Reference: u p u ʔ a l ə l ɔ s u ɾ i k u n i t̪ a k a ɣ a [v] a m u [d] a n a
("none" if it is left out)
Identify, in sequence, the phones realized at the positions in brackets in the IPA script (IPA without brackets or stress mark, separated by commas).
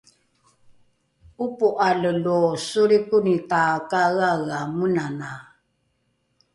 ɣ, n